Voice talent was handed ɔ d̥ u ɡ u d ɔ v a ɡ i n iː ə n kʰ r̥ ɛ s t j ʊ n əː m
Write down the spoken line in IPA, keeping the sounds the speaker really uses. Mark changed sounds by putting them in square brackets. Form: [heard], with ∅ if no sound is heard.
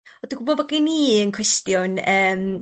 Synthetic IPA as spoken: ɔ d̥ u ɡ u [b] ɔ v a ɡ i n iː ə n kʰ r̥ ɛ s t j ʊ n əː m